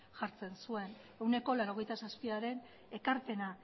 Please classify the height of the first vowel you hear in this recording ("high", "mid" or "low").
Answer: low